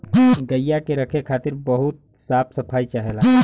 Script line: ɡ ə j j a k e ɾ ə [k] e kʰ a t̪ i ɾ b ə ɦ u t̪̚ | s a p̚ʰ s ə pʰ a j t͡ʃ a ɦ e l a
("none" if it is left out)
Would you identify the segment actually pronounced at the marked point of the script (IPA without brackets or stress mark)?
kʰ